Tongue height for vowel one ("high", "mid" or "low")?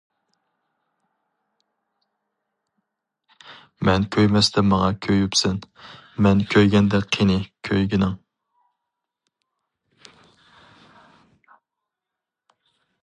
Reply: mid